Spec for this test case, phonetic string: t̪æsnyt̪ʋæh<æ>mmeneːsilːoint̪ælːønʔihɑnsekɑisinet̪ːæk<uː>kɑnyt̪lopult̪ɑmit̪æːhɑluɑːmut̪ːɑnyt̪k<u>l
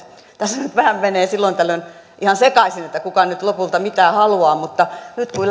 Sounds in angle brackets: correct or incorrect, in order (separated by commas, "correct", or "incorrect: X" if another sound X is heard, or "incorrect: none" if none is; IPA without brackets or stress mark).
correct, incorrect: u, correct